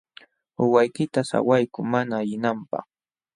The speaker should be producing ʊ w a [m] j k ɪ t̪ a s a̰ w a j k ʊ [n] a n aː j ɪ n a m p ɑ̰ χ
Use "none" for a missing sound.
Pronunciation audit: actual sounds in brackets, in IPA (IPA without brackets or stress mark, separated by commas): none, m